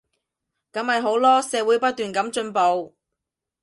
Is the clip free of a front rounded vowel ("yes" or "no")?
no